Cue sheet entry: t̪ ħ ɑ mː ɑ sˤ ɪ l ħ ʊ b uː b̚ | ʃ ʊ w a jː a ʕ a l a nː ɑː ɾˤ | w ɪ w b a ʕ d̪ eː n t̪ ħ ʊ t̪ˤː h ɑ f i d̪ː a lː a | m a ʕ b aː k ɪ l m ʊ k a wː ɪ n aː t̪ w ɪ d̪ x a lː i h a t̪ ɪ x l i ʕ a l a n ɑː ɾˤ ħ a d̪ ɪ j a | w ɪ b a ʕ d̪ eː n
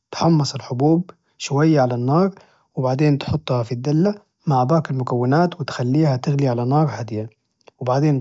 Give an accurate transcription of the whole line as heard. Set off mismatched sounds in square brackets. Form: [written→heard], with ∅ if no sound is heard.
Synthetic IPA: t̪ ħ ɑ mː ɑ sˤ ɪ l ħ ʊ b uː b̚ | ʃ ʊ w a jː a ʕ a l a nː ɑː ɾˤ | w ɪ [w→∅] b a ʕ d̪ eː n t̪ ħ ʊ t̪ˤː h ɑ f i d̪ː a lː a | m a ʕ b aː k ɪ l m ʊ k a wː ɪ n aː t̪ w ɪ [d̪→t̪] x a lː [i→iː] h a t̪ ɪ [x→ɣ] l i ʕ a l a n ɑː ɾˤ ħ a d̪ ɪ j a | w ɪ b a ʕ d̪ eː n